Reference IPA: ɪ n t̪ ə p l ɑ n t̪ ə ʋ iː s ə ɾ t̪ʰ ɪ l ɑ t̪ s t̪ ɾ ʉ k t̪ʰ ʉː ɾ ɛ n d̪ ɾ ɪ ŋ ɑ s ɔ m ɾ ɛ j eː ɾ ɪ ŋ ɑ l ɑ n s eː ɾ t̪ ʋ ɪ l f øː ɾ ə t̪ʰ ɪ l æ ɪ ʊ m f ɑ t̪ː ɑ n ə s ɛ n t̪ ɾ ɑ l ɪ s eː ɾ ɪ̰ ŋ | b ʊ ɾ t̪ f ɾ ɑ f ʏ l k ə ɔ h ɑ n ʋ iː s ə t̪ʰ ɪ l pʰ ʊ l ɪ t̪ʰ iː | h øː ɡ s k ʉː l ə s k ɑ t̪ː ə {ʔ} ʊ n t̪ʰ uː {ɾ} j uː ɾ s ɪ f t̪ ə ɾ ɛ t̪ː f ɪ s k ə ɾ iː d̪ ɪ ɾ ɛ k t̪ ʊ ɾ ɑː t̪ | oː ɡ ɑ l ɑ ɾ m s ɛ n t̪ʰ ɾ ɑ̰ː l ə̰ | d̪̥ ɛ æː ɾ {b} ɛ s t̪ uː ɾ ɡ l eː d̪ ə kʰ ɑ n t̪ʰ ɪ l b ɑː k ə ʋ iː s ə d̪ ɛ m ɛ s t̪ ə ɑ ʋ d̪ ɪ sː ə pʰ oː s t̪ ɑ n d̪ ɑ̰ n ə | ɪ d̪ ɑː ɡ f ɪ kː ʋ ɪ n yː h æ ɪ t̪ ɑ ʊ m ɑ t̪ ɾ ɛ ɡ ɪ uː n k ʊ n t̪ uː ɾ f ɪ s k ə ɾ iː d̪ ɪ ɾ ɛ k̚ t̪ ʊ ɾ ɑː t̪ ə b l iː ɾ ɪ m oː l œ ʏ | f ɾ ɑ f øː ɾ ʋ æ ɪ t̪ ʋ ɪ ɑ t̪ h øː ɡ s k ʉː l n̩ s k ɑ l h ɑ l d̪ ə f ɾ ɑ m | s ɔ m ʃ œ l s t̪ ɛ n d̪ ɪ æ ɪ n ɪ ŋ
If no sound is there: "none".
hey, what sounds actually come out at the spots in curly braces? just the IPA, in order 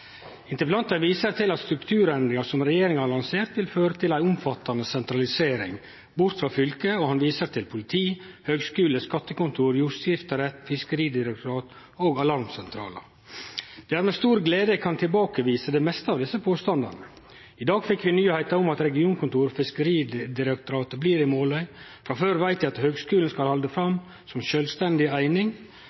k, ɾ, m

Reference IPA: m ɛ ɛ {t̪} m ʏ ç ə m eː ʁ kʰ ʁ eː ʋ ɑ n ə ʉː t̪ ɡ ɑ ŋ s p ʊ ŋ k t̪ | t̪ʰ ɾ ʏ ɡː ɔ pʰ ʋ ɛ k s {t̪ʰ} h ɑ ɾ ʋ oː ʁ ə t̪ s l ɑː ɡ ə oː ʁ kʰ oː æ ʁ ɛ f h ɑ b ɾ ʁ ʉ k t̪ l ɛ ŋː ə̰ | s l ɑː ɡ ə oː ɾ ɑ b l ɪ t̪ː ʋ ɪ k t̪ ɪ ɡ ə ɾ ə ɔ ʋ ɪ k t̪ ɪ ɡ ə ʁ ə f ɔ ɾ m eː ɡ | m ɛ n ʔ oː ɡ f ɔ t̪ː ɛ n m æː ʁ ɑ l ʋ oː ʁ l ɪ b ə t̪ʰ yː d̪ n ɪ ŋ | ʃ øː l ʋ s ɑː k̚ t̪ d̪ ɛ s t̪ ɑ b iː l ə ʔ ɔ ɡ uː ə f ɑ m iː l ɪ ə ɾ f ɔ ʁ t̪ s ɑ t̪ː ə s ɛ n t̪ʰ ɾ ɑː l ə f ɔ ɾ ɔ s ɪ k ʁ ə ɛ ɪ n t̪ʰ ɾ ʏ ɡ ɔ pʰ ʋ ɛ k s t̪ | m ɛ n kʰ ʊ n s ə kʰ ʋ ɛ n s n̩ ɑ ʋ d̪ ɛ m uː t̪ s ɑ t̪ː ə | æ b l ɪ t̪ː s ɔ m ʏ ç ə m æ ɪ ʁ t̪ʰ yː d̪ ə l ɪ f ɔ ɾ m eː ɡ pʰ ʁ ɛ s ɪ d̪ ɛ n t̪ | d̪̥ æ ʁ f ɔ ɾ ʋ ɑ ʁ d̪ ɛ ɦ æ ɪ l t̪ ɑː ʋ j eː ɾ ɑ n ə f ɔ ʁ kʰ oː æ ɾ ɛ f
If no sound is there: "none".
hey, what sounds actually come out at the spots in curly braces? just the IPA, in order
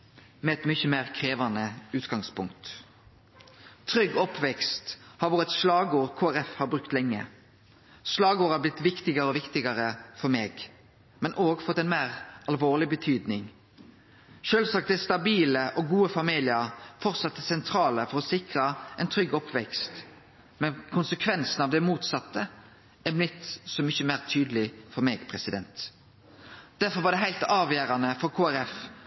t̪, t̪

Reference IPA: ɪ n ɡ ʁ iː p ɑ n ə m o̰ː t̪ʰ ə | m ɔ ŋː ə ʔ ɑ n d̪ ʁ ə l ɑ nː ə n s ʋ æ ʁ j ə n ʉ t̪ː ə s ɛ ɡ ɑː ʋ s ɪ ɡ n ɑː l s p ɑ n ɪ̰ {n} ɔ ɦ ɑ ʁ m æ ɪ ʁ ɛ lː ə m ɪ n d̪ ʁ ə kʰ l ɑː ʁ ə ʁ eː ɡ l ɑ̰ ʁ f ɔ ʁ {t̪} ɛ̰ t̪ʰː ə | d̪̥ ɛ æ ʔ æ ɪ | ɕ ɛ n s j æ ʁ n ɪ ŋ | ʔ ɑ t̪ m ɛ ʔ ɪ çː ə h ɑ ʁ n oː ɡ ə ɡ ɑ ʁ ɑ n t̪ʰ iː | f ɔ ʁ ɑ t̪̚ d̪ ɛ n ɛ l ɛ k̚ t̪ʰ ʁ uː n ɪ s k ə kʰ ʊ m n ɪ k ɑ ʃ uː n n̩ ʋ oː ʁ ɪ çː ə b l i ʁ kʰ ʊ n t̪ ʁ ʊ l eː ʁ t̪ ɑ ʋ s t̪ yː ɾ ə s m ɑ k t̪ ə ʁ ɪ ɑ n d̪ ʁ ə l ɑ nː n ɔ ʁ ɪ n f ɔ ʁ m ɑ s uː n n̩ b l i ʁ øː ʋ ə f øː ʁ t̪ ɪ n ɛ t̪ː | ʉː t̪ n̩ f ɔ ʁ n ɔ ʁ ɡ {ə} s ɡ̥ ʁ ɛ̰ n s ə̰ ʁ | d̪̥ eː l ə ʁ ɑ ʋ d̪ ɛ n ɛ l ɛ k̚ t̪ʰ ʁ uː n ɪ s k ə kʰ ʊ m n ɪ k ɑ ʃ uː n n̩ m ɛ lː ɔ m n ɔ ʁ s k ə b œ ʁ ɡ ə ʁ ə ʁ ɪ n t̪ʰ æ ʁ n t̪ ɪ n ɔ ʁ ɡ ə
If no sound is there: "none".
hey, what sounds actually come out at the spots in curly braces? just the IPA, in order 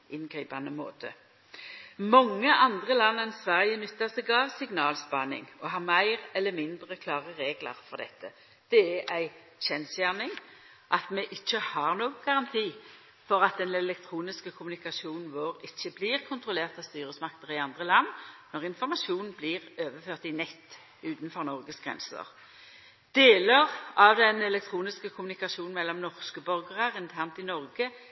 ŋ, d̪, ə

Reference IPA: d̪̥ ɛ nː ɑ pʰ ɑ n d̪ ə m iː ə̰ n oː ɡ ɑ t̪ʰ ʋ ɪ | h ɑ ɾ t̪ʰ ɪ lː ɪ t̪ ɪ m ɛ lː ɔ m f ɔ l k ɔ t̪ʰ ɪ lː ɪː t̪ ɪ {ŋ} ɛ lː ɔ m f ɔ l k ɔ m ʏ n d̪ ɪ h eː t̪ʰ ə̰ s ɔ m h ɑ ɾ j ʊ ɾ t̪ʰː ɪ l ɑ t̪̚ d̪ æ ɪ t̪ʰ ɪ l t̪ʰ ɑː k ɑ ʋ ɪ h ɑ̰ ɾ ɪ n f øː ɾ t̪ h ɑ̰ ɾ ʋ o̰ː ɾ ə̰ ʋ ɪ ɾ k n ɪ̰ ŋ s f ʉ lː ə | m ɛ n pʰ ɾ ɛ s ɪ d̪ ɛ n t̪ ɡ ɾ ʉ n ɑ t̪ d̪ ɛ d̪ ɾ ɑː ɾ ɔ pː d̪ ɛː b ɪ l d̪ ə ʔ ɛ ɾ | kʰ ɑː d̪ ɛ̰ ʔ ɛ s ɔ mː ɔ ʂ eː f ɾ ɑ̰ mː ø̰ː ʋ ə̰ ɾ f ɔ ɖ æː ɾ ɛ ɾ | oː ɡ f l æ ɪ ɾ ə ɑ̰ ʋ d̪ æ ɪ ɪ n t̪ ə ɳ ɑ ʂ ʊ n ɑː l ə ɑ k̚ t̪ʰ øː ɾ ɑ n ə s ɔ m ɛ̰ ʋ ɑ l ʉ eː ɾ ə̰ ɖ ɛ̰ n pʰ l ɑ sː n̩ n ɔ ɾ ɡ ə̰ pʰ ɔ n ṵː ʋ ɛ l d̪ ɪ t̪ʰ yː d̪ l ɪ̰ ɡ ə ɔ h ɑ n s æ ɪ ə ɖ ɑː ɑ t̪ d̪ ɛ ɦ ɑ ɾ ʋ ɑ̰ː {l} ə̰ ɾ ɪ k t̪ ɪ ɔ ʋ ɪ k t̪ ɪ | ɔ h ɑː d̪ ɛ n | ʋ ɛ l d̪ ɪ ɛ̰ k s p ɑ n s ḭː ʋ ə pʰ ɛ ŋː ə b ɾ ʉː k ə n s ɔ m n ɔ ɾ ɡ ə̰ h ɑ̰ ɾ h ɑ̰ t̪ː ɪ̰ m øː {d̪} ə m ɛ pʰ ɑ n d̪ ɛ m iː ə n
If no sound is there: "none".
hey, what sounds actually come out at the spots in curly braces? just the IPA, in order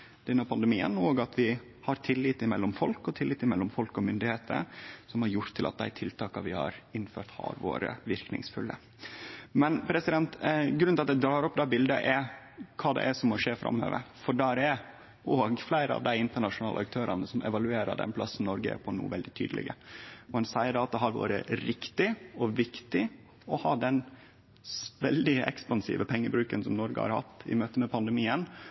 m, ɾ, t̪

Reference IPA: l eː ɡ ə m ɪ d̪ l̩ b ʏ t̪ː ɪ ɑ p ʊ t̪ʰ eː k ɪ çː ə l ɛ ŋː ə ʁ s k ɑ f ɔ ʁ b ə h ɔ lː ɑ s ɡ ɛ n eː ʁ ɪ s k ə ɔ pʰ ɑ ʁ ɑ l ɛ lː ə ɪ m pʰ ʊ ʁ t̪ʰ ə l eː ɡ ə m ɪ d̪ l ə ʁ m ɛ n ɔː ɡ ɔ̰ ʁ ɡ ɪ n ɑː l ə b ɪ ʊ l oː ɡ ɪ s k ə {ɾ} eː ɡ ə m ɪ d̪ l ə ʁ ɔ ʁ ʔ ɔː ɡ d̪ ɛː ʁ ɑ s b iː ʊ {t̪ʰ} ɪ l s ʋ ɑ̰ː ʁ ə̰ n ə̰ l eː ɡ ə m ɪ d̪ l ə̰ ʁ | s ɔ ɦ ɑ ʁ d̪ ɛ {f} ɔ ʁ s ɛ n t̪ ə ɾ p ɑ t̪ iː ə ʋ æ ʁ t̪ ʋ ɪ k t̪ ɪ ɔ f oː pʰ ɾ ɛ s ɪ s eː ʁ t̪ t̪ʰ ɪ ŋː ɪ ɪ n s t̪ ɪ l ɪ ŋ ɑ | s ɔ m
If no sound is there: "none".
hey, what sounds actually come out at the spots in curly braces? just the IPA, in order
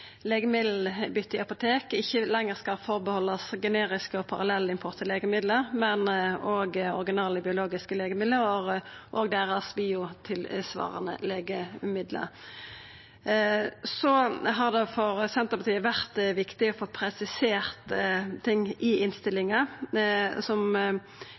l, t̪ʰ, f

